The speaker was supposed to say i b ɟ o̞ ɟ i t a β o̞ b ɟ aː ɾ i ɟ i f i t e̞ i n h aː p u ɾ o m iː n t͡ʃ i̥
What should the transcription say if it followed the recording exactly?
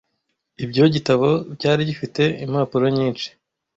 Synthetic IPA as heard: i b ɟ o̞ ɟ i t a β o̞ b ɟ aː ɾ i ɟ i f i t e̞ i m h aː p u ɾ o ɲ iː n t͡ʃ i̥